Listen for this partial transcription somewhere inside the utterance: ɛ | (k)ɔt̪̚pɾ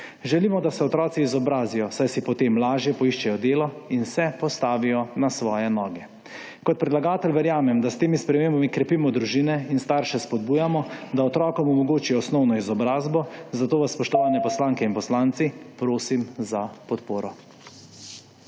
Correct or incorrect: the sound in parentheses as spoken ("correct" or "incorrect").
correct